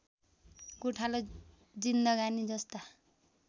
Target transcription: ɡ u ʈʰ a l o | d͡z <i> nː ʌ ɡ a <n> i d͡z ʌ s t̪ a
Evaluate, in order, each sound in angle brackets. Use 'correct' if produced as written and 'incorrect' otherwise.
correct, correct

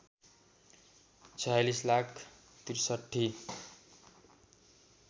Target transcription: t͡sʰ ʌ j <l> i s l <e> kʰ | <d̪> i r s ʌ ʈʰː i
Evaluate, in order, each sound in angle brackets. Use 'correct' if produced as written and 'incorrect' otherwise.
correct, incorrect: a, incorrect: t̪

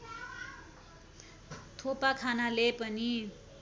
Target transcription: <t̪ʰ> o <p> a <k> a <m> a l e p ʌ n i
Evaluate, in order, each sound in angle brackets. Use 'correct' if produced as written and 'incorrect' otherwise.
correct, correct, incorrect: kʰ, incorrect: n

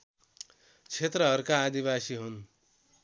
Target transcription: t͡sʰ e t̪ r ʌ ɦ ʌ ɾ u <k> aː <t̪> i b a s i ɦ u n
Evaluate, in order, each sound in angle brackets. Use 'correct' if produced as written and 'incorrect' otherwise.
correct, incorrect: d̪

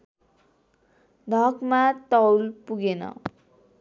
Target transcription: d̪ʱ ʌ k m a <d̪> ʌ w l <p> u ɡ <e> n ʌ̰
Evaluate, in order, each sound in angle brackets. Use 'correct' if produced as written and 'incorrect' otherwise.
incorrect: t̪, correct, correct

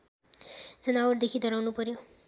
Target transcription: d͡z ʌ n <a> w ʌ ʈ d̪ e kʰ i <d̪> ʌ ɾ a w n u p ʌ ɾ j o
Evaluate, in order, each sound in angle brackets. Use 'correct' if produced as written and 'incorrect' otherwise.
correct, correct

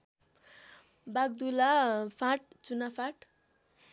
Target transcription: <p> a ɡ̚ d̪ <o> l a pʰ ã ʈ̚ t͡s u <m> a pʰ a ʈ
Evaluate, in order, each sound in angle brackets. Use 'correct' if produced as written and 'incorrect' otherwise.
incorrect: b, incorrect: u, incorrect: n

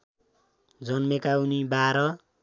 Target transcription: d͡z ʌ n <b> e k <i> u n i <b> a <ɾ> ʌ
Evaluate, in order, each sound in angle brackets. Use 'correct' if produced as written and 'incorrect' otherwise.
incorrect: m, incorrect: a, correct, correct

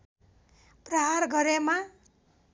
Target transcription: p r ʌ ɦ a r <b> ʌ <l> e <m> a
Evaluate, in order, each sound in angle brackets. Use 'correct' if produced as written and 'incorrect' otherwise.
incorrect: ɡ, incorrect: ɾ, correct

